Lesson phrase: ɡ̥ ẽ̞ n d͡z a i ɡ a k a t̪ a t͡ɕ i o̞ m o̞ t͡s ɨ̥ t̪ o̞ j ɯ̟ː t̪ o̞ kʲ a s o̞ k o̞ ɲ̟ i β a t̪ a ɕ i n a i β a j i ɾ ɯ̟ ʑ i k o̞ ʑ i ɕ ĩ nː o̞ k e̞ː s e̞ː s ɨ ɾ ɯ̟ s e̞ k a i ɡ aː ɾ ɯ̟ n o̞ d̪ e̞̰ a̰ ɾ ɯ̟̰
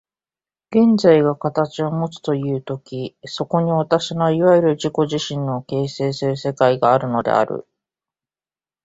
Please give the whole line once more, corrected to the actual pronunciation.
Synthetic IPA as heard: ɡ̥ ẽ̞ n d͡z a i ɡ a k a t̪ a t͡ɕ i o̞ m o̞ t͡s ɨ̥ t̪ o̞ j ɯ̟ː t̪ o̞ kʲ i s o̞ k o̞ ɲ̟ i β a t̪ a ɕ i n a i β a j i ɾ ɯ̟ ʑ i k o̞ ʑ i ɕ ĩ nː o̞ k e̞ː s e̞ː s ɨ ɾ ɯ̟ s e̞ k a i ɡ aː ɾ ɯ̟ n o̞ d̪ e̞̰ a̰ ɾ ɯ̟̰

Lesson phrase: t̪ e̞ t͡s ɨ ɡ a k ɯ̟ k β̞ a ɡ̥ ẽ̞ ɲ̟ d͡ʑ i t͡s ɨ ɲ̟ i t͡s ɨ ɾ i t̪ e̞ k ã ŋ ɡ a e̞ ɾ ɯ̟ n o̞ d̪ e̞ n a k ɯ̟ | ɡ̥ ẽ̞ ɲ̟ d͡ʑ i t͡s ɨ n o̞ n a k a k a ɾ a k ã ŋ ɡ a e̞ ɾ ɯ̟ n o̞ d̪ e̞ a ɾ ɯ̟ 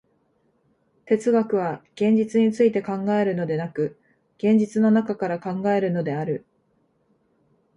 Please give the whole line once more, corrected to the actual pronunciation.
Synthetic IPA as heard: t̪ e̞ t͡s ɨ ɡ a k ɯ̟ β̞ a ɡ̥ ẽ̞ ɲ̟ d͡ʑ i t͡s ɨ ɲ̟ i t͡s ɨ i t̪ e̞ k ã ŋ ɡ a e̞ ɾ ɯ̟ n o̞ d̪ e̞ n a k ɯ̟ | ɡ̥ ẽ̞ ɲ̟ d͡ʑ i t͡s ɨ n o̞ n a k a k a ɾ a k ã ŋ ɡ a e̞ ɾ ɯ̟ n o̞ d̪ e̞ a ɾ ɯ̟

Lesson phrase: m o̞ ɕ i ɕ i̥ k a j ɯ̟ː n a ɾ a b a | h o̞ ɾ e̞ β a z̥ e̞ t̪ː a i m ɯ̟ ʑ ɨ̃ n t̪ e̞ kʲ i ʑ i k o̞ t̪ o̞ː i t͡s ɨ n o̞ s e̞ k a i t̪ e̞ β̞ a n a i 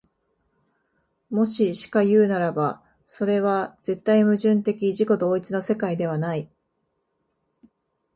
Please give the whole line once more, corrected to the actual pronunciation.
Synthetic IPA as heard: m o̞ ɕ i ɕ i̥ k a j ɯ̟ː n a ɾ a b a | s o̞ ɾ e̞ β a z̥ e̞ t̪ː a i m ɯ̟ ʑ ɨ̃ n t̪ e̞ kʲ i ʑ i k o̞ d̪ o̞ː i t͡s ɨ n o̞ s e̞ k a i d̪ e̞ β̞ a n a i

